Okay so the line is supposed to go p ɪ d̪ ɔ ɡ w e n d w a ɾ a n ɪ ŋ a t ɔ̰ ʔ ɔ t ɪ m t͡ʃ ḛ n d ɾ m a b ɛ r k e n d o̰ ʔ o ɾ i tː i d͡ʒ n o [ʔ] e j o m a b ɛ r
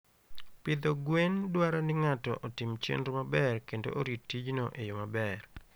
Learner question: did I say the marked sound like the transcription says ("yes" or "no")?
yes